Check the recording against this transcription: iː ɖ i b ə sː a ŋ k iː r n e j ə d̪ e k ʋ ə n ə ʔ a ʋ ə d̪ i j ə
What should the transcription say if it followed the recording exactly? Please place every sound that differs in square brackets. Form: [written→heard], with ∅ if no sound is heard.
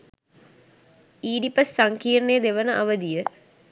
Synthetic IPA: iː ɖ i [b→p] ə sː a ŋ k iː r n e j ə d̪ e [k→∅] ʋ ə n ə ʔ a ʋ ə d̪ i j ə